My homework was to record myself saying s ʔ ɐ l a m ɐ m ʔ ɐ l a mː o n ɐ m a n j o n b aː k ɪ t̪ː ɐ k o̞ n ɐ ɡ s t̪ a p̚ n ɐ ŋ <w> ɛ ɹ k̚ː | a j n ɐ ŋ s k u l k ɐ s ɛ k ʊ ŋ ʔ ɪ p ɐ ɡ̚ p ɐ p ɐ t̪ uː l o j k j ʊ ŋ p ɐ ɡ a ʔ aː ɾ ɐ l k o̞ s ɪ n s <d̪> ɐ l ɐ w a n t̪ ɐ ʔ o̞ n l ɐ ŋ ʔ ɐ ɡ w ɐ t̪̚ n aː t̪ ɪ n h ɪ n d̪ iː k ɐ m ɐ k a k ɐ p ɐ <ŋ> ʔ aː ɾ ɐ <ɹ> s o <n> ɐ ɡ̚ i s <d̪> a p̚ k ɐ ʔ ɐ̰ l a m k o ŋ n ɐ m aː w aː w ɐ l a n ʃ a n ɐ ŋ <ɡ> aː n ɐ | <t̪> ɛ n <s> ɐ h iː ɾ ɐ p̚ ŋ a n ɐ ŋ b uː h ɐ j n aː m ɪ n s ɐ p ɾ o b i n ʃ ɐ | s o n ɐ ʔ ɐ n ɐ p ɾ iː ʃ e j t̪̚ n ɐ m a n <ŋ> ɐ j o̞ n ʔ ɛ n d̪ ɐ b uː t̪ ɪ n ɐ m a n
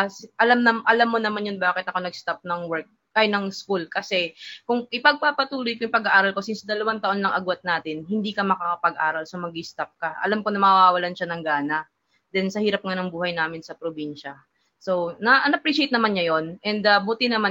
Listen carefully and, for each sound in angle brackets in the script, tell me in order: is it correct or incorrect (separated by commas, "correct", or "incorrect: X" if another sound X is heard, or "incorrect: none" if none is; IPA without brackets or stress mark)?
correct, correct, incorrect: ɡ, incorrect: l, incorrect: m, incorrect: t̪, correct, incorrect: d̪, correct, incorrect: ɲ